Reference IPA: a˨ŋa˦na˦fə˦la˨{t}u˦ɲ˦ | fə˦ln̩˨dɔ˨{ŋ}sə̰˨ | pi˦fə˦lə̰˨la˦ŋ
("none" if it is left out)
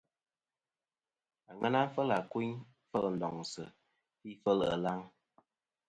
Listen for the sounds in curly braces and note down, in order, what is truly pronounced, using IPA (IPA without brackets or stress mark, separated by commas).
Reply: k, ŋ